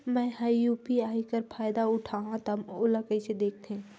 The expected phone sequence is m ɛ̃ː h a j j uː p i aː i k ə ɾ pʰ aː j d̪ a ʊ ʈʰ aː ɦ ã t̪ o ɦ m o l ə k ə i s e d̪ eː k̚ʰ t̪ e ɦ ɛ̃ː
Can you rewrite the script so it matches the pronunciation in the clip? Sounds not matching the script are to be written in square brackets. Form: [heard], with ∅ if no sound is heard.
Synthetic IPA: m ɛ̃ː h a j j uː p i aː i k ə ɾ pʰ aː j d̪ a ʊ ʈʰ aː ɦ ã t̪ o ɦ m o l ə k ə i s e d̪ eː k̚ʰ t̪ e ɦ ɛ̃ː